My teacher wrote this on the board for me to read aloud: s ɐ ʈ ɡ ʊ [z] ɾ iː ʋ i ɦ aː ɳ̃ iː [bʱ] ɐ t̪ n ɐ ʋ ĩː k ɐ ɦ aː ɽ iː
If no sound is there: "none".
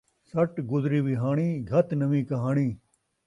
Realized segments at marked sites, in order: z, ɡʱ

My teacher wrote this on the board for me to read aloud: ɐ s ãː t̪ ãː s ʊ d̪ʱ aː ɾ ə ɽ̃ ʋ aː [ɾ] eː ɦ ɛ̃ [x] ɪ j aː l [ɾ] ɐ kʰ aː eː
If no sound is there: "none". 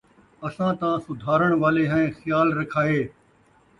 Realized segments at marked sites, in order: l, x, ɾ

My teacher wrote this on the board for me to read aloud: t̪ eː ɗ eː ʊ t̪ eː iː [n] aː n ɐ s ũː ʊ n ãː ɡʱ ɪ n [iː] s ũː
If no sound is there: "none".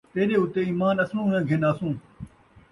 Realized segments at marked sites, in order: m, aː

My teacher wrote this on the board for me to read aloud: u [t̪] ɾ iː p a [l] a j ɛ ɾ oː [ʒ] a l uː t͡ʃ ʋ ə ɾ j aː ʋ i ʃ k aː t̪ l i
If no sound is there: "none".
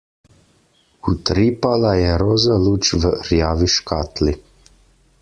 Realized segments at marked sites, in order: t̪, l, z

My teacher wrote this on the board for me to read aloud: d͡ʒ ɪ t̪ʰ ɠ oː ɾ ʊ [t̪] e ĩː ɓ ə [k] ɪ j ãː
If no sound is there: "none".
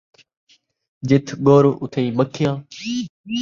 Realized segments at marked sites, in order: t̪ʰ, kʰ

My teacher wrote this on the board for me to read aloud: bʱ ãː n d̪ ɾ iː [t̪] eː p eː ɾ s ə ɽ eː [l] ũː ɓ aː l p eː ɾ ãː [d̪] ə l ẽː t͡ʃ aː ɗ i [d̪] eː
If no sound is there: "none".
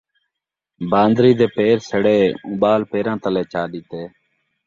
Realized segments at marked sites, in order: d̪, none, t̪, t̪

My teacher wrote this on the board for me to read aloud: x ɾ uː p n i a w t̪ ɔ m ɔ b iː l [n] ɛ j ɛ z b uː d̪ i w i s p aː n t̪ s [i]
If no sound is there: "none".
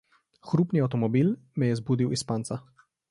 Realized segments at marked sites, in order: m, a

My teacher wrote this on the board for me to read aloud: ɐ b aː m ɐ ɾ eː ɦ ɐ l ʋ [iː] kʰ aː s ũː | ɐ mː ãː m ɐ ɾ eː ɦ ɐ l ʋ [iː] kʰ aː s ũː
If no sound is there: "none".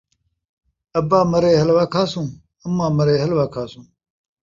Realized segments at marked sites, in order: aː, aː

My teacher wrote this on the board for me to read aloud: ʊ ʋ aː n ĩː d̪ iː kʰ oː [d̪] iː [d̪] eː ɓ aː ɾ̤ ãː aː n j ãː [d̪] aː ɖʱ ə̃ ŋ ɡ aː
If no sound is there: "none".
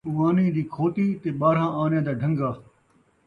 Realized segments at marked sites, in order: t̪, t̪, d̪

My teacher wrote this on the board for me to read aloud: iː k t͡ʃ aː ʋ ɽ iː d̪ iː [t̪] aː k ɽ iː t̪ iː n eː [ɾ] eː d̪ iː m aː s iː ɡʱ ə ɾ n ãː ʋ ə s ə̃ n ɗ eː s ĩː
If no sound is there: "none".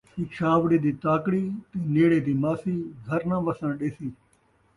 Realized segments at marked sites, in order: t̪, ɽ

